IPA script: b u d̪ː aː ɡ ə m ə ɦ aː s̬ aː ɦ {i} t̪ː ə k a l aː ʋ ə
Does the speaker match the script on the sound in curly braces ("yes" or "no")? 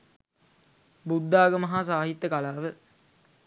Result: yes